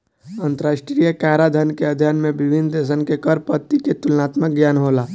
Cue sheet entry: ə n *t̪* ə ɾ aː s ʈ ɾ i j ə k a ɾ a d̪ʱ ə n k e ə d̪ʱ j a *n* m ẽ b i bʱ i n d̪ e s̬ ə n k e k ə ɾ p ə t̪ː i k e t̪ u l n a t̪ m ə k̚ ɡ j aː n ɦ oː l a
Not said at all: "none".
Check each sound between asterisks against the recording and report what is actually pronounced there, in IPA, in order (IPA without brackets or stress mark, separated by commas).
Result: t̪, n